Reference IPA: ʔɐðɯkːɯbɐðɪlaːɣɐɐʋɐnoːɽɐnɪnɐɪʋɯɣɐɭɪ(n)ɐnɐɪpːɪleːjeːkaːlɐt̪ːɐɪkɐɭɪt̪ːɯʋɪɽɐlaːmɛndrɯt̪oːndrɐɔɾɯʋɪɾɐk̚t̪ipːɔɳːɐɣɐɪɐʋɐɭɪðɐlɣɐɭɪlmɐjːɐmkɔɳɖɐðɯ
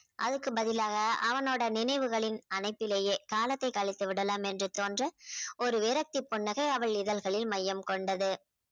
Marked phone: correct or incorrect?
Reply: correct